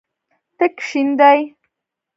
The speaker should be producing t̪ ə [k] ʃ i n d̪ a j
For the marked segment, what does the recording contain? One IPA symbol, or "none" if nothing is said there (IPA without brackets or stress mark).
k